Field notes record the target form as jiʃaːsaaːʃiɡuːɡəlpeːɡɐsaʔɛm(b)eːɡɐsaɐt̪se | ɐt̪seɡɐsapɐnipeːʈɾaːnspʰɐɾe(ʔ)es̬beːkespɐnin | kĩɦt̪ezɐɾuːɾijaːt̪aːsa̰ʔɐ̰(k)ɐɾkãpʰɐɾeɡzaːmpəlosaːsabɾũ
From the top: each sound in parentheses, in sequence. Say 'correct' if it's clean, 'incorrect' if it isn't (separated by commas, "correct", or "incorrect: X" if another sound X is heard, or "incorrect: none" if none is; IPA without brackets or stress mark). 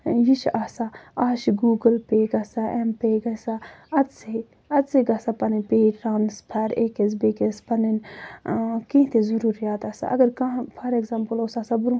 incorrect: p, incorrect: k, incorrect: ɡ